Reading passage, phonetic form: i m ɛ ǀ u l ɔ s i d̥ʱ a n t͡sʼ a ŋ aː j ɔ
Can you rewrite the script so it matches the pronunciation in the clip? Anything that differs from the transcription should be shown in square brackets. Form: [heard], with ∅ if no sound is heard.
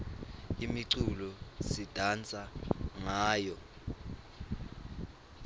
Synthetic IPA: i m [i] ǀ u l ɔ s i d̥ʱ a n t͡sʼ a ŋ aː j ɔ